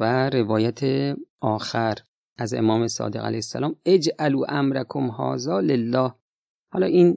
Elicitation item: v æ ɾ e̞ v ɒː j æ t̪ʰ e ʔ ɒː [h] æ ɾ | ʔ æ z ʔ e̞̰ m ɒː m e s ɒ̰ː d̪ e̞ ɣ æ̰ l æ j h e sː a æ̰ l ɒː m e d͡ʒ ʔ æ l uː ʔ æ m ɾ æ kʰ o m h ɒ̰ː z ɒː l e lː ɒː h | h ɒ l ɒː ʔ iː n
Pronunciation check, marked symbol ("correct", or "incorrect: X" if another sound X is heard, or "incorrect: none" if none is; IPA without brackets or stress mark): incorrect: x